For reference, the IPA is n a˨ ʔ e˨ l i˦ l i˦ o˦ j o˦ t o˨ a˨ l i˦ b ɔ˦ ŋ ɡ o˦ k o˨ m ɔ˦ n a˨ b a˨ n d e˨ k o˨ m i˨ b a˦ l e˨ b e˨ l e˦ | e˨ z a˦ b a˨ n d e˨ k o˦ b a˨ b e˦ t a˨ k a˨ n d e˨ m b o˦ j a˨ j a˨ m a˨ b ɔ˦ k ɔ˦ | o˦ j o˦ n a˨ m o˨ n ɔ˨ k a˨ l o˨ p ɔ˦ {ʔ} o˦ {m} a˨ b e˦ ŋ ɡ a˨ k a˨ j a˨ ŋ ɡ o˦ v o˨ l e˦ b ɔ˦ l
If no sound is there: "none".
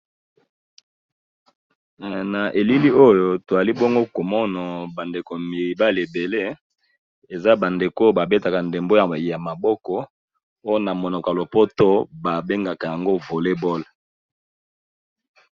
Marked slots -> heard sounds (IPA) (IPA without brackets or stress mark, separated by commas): t, b